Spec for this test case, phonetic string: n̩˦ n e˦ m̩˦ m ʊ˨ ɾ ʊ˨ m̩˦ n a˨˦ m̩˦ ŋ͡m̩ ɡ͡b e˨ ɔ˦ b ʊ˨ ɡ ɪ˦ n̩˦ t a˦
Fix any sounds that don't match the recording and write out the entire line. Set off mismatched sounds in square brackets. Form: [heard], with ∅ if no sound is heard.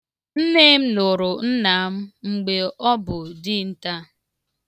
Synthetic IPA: n̩˦ n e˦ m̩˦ [n] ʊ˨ ɾ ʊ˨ [n̩˦] n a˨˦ m̩˦ ŋ͡m̩ ɡ͡b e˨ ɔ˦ b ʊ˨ [d] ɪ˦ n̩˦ t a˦